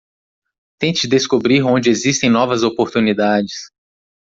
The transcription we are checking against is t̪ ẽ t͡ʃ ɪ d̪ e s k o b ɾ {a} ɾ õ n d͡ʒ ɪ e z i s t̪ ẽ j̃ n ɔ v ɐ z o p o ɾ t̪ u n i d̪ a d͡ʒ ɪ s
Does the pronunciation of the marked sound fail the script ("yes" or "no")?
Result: yes